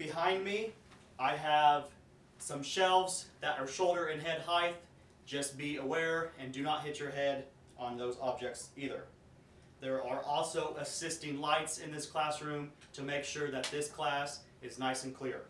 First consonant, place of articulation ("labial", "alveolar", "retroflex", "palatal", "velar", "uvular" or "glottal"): labial